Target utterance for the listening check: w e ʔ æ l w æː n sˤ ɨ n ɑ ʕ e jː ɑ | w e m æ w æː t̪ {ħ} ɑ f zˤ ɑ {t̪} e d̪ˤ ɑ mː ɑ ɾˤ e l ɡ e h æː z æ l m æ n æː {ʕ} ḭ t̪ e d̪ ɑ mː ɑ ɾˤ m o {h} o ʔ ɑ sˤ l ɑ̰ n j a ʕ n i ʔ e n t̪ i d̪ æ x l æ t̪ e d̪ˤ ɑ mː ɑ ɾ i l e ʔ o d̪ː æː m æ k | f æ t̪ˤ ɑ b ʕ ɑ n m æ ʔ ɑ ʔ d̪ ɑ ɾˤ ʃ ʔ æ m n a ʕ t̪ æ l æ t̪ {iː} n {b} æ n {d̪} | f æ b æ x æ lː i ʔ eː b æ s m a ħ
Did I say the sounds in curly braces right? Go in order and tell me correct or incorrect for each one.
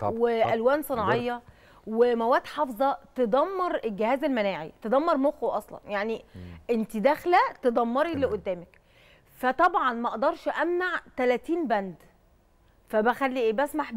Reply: correct, correct, correct, incorrect: x, correct, correct, correct

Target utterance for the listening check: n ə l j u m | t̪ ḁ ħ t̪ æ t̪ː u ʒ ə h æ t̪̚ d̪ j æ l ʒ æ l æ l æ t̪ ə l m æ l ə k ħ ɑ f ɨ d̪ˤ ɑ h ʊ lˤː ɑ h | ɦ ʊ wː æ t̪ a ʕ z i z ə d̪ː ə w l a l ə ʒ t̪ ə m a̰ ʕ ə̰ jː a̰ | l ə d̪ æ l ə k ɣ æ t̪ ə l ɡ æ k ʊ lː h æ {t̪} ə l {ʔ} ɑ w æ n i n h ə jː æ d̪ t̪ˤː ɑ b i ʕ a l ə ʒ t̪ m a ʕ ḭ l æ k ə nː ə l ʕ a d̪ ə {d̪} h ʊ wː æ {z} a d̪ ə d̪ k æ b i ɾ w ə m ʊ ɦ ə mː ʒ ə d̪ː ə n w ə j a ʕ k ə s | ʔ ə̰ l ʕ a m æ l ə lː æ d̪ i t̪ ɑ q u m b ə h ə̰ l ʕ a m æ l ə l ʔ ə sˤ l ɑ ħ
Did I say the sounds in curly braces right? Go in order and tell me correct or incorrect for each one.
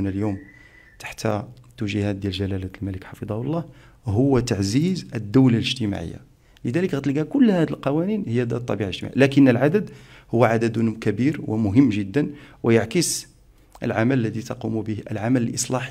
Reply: incorrect: d̪, incorrect: q, correct, incorrect: ʕ

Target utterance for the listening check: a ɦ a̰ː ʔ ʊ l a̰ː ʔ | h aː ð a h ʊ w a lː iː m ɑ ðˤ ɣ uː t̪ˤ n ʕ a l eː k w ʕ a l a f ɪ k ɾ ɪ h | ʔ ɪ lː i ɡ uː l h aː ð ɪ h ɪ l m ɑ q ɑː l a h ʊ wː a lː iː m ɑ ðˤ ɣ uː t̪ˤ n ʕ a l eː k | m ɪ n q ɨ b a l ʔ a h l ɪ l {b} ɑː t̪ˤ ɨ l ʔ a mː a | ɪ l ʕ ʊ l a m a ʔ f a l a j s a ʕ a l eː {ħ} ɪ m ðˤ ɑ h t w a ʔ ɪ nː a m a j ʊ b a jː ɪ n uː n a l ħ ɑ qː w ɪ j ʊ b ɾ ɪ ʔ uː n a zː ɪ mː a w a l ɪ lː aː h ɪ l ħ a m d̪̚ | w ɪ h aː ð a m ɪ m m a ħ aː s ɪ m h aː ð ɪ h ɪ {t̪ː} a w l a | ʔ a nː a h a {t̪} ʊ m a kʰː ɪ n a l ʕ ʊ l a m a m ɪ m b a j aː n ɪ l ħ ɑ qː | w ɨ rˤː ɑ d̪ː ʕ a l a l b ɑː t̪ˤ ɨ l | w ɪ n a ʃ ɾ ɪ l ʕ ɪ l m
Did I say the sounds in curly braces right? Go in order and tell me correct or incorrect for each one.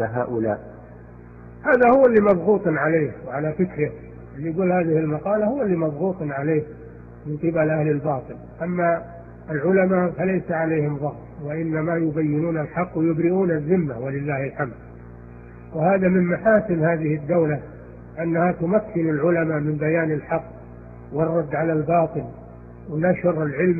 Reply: correct, incorrect: h, incorrect: d̪ː, correct

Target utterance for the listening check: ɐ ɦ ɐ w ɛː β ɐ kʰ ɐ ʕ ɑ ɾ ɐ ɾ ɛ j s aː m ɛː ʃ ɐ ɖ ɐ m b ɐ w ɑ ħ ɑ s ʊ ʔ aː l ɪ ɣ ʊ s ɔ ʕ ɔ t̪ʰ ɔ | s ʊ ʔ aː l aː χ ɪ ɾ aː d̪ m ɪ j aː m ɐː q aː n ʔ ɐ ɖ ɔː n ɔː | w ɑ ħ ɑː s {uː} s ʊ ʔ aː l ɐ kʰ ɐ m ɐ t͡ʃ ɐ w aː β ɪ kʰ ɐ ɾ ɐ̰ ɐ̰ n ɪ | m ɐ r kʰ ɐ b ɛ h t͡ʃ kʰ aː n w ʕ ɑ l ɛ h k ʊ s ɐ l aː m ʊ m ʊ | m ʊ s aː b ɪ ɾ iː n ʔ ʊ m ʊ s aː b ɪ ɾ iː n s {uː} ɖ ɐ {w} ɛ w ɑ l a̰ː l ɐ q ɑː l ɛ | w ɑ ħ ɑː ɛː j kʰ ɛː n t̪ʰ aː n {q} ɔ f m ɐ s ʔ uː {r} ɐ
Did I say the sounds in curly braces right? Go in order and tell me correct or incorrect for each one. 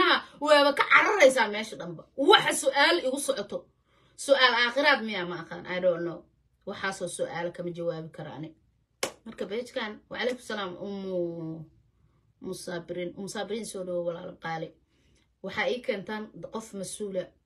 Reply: incorrect: ɔː, incorrect: ɔː, correct, correct, incorrect: l

